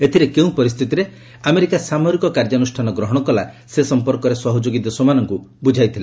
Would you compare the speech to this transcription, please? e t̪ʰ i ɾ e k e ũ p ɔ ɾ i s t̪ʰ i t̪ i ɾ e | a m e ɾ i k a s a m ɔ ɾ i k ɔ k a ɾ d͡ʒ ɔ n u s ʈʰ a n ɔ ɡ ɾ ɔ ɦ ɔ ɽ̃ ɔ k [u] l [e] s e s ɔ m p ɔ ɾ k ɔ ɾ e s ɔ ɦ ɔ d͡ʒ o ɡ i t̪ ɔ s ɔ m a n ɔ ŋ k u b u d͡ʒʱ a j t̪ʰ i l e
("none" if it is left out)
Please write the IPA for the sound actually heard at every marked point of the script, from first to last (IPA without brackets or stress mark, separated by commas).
ɔ, a